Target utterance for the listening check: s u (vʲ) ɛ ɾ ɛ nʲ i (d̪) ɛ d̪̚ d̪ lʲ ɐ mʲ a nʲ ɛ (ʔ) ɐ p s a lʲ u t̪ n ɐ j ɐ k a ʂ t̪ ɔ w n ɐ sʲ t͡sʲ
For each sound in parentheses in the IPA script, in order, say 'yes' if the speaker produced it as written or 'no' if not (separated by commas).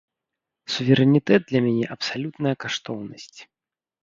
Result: yes, no, yes